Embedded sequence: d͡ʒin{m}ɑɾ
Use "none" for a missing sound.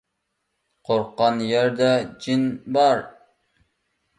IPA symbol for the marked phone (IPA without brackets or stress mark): b